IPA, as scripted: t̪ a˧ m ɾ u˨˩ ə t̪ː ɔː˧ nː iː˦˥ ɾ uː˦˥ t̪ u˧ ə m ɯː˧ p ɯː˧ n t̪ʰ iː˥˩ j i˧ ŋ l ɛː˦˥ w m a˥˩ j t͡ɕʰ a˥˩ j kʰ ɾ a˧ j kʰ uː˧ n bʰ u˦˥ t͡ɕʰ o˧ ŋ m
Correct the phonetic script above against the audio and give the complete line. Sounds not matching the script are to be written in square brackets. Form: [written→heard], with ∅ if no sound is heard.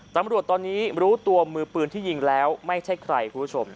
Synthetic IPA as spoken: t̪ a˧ m ɾ u˨˩ ə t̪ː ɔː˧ nː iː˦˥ ɾ uː˦˥ t̪ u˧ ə m ɯː˧ p ɯː˧ n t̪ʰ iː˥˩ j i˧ ŋ l ɛː˦˥ w m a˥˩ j t͡ɕʰ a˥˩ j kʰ ɾ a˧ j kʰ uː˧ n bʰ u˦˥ t͡ɕʰ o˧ [ŋ→∅] m